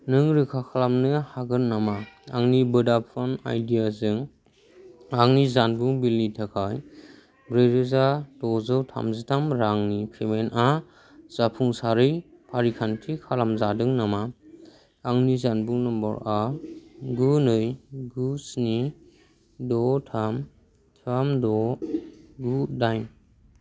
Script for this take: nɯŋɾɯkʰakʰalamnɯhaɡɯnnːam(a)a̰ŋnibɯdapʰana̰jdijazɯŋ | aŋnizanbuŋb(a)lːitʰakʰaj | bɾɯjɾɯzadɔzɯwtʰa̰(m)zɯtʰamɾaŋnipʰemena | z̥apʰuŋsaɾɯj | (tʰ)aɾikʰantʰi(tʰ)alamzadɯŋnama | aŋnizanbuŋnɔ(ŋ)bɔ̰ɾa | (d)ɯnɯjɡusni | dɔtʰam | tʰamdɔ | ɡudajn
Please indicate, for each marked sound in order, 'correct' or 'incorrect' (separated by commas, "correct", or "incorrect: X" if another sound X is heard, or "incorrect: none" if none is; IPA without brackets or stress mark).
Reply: correct, incorrect: i, correct, incorrect: pʰ, incorrect: kʰ, incorrect: m, incorrect: ɡ